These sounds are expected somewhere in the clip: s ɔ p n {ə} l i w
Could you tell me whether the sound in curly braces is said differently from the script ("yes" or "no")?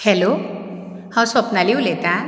yes